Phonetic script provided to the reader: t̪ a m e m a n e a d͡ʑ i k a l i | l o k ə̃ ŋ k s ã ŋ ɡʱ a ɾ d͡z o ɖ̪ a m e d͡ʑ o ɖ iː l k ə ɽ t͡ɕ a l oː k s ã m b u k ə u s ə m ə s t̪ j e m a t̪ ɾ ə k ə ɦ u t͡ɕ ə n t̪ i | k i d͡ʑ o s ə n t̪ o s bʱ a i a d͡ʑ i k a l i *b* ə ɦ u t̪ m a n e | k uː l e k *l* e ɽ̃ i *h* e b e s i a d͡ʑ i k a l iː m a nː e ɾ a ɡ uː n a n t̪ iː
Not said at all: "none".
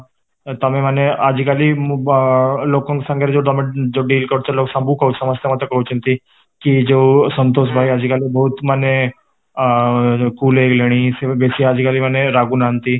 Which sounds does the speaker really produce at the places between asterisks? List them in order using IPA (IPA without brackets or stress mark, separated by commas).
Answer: b, l, s